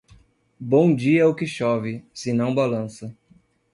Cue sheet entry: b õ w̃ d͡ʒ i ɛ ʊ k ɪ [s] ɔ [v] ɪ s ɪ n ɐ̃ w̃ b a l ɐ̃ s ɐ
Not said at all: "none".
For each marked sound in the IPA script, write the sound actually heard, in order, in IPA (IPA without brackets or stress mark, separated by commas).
ʃ, v